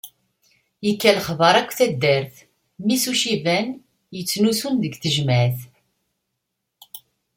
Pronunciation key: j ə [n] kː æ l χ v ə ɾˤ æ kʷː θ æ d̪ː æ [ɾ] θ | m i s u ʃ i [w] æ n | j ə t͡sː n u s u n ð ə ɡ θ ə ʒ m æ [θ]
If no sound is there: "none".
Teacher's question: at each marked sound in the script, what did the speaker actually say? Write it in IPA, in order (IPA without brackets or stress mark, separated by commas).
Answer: none, ɾ, v, θ